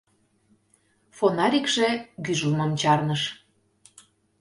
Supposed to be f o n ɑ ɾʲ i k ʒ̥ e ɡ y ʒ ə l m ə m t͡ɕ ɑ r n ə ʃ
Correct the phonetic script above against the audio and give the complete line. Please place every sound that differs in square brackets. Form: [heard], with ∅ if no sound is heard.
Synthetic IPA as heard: f o n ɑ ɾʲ i k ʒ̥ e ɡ y ʒ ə l m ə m t͡ɕ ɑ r n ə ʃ